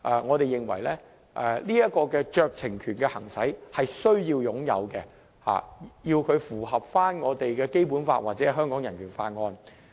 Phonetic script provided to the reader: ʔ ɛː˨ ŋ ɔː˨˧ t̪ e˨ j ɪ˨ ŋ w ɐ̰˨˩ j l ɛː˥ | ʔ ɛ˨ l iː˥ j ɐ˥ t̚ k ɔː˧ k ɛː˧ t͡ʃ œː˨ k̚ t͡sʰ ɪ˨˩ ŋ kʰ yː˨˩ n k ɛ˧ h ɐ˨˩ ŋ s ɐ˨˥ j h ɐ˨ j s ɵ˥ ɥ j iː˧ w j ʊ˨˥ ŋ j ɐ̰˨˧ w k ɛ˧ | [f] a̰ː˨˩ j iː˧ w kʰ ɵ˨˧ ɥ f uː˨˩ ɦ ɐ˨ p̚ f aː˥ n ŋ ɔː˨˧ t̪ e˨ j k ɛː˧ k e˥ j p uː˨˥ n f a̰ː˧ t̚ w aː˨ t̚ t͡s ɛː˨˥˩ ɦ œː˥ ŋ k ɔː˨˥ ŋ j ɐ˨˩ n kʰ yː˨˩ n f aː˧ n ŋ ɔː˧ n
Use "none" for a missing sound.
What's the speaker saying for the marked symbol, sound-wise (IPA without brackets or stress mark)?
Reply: h